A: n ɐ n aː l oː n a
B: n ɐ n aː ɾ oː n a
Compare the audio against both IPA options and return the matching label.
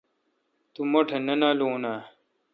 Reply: A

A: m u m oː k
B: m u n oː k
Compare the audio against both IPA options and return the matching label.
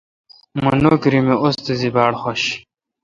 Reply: B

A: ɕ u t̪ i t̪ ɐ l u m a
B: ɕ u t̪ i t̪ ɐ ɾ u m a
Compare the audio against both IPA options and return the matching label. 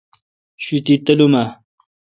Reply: A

